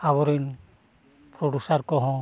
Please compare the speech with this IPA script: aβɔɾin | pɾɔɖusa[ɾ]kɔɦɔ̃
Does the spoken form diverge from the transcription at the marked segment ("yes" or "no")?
no